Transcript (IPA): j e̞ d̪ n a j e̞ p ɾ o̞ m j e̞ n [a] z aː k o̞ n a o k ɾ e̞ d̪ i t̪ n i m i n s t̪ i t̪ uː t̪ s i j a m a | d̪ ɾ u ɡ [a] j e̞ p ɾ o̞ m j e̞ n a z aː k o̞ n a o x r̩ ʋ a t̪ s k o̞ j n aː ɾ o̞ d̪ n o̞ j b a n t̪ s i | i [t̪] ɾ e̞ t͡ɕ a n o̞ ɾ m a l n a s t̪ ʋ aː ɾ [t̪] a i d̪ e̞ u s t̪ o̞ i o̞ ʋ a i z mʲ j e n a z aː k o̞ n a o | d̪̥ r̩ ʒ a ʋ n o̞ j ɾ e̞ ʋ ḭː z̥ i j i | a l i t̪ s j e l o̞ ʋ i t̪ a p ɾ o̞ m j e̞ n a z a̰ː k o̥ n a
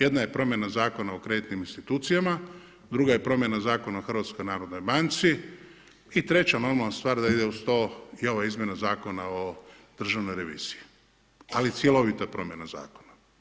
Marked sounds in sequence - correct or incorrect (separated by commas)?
correct, correct, correct, incorrect